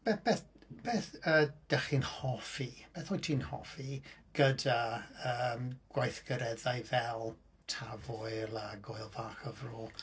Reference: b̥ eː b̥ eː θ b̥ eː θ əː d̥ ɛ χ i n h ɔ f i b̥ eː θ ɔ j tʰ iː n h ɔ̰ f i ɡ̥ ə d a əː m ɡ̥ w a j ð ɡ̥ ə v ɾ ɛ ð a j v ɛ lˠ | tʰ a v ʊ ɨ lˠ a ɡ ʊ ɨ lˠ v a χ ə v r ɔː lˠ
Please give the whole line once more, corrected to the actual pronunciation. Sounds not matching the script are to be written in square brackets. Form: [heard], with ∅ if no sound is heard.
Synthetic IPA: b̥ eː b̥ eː θ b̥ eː θ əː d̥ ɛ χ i n h ɔ f i b̥ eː θ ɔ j tʰ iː n h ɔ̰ f i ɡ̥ ə d a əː m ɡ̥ w a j [θ] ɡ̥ ə [∅] ɾ ɛ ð a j v ɛ lˠ | tʰ a v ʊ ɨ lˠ a ɡ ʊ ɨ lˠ v a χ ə v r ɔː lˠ